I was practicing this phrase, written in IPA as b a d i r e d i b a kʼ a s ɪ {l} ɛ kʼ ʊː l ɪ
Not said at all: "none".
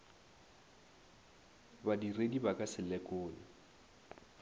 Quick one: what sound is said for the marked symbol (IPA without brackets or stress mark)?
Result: l